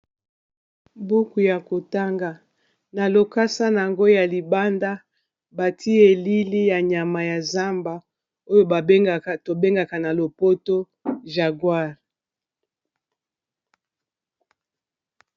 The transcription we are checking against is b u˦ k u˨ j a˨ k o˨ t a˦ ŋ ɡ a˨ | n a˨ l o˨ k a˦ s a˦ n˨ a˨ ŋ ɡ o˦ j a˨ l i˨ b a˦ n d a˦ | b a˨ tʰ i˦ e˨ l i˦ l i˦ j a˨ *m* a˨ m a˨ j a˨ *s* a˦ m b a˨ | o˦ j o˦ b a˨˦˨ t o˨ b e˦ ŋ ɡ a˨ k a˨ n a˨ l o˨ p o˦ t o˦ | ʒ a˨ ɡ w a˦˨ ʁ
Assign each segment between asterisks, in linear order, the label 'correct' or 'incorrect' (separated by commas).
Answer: incorrect, incorrect